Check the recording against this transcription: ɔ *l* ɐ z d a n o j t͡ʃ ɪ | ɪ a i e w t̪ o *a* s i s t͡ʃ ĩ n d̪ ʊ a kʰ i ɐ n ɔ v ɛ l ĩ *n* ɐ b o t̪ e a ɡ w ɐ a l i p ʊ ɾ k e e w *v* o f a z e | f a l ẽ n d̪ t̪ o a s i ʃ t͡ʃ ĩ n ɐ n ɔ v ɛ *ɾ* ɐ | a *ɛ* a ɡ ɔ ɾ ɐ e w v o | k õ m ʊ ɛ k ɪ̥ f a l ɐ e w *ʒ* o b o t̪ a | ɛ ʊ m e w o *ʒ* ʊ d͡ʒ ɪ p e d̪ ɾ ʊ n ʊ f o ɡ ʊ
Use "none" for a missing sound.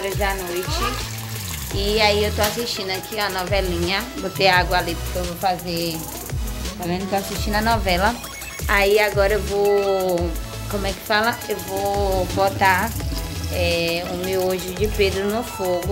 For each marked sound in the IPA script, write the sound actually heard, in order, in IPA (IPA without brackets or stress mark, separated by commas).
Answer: ɾ, a, ɲ, v, l, i, v, ʒ